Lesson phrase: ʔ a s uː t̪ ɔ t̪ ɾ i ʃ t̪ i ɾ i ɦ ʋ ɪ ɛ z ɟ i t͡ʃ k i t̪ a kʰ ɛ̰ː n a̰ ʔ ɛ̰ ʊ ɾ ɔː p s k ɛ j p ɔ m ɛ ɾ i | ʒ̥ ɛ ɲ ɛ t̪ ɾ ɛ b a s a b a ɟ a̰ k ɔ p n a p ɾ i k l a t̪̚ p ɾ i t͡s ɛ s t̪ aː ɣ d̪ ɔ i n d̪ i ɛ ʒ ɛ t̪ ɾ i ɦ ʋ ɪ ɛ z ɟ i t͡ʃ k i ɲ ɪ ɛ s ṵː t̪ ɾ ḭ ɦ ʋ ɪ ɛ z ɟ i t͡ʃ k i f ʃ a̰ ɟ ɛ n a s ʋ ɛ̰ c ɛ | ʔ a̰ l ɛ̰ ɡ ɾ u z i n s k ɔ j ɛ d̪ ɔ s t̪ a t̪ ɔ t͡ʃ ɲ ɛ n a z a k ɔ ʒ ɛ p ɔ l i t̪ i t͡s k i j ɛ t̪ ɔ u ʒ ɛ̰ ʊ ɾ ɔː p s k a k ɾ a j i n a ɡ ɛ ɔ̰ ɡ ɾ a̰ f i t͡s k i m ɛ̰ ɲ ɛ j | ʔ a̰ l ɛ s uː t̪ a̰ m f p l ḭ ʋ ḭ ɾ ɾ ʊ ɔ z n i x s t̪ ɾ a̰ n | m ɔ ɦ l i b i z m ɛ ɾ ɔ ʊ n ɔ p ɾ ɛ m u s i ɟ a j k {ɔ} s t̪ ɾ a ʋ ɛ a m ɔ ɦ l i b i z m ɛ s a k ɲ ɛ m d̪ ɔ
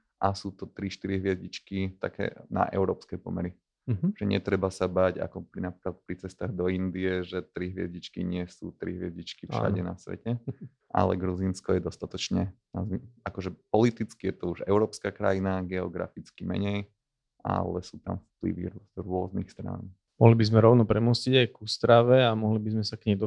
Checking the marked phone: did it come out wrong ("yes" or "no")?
yes